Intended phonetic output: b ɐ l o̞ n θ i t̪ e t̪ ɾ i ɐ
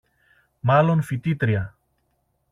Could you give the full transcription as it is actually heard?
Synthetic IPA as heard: m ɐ l o̞ n f i t̪ i t̪ ɾ i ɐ